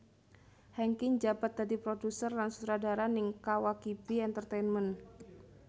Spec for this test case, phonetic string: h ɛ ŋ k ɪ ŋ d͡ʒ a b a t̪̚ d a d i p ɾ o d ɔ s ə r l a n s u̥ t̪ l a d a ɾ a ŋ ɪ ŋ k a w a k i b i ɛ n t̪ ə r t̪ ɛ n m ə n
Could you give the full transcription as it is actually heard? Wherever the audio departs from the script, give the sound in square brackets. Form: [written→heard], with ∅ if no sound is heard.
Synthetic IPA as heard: h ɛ ŋ k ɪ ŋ d͡ʒ a b a t̪̚ d a d i p ɾ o d [ɔ→u] s ə r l a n s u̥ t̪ [l→ɾ] a d a ɾ a [ŋ→n] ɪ ŋ k a w a k i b i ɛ n t̪ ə r t̪ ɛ n m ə n